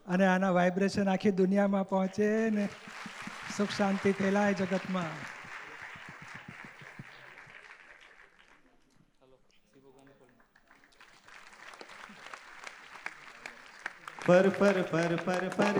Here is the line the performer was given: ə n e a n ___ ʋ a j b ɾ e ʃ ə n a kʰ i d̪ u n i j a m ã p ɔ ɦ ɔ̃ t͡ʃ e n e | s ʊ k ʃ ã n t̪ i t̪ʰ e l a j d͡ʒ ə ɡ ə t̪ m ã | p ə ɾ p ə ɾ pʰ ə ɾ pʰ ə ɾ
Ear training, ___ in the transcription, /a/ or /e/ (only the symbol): a